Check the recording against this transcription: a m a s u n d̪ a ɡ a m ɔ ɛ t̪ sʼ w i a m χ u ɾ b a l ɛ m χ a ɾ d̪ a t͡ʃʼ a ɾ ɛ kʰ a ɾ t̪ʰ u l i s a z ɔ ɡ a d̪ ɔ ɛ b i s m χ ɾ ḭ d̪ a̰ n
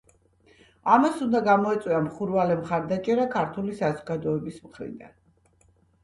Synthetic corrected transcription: a m a s u n d̪ a ɡ a m ɔ ɛ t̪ sʼ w i a m χ u ɾ v a l ɛ m χ a ɾ d̪ a t͡ʃʼ ɛ ɾ a kʰ a ɾ t̪ʰ u l i s a z ɔ ɡ a d̪ ɔ ɛ b i s m χ ɾ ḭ d̪ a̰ n